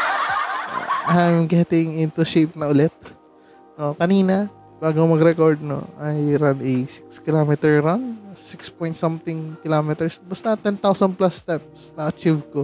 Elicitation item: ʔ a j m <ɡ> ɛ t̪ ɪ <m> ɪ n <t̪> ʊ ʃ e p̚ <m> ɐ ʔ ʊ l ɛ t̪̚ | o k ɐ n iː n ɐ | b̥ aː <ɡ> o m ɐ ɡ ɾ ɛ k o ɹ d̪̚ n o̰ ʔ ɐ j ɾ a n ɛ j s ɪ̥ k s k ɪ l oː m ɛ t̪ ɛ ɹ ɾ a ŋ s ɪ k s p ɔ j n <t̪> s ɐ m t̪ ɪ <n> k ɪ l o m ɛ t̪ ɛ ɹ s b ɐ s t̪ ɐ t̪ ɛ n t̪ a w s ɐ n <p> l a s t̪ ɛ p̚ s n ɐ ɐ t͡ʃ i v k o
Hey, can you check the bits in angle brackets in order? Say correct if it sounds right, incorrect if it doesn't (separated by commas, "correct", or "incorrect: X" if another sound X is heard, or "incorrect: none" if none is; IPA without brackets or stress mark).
correct, incorrect: ŋ, correct, incorrect: n, correct, correct, incorrect: ŋ, correct